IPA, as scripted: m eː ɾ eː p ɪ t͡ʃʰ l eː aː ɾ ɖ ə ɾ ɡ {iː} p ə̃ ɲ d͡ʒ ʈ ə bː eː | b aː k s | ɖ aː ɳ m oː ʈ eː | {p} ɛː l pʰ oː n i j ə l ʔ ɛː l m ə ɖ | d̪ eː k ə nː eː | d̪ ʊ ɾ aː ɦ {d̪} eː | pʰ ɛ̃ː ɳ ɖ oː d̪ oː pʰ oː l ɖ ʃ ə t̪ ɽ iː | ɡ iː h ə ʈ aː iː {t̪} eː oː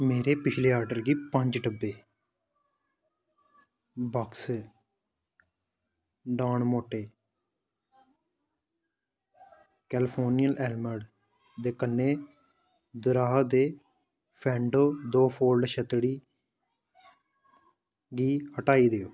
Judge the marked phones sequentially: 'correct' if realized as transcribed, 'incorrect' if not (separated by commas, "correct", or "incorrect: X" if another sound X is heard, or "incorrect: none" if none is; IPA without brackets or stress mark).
correct, incorrect: k, correct, incorrect: d̪